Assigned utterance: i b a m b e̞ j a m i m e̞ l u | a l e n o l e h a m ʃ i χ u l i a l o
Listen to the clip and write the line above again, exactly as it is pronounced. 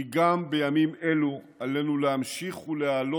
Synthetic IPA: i ɡ a m b e̞ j a m i m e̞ l u | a l e n u l e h a m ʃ i χ u l e a l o